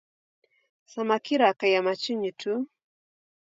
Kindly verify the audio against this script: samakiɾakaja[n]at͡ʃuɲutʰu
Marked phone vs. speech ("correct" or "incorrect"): incorrect